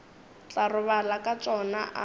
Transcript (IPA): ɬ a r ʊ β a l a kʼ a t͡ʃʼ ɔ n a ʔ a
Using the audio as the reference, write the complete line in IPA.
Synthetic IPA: t͡ɬ a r ʊ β a l a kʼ a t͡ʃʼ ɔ n a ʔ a